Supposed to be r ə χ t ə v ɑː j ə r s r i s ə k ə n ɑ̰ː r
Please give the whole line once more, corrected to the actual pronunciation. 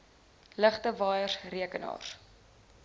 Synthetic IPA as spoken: l ə χ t ə v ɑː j ə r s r i ə k ə n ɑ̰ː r